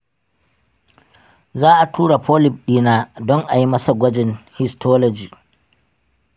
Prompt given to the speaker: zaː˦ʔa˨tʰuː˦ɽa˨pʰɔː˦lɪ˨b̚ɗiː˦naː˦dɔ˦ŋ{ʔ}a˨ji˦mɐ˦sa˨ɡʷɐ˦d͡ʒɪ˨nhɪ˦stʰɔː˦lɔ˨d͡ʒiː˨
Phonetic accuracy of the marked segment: correct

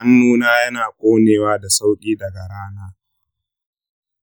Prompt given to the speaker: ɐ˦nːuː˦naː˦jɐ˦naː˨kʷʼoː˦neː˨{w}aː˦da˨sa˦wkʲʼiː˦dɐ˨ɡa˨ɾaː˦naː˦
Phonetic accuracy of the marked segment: correct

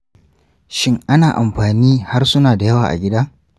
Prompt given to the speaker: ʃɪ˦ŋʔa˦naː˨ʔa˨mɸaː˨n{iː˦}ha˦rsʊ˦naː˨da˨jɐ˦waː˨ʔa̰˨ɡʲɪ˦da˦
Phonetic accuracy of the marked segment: correct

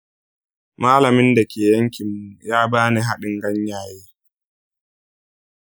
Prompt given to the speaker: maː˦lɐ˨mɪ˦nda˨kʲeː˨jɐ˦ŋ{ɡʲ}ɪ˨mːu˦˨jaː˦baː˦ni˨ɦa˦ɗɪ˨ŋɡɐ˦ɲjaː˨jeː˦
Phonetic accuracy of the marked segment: incorrect: kʲ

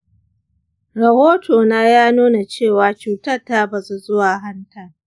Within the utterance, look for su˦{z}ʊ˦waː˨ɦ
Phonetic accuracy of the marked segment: correct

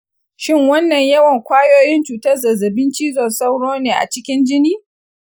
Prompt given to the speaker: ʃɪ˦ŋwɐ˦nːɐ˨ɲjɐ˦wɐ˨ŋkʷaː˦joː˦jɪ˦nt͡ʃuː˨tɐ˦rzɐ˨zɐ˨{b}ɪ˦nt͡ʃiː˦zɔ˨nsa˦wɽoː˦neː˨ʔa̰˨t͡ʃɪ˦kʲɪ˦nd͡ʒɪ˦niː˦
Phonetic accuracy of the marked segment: correct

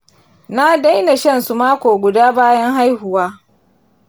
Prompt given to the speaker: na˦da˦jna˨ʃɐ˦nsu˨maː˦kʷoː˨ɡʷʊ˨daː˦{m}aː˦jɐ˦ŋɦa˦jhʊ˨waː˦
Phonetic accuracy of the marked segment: incorrect: b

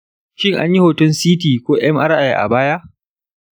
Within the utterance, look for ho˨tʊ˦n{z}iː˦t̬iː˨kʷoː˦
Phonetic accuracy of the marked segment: incorrect: s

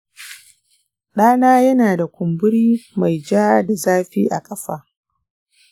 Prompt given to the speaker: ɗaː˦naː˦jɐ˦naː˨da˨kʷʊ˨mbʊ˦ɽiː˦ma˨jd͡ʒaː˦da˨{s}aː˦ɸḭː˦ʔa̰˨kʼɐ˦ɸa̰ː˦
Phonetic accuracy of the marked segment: incorrect: z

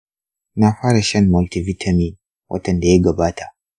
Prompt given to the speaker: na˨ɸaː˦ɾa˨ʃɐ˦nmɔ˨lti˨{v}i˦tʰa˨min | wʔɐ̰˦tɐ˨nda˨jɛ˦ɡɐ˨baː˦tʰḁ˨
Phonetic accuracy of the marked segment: correct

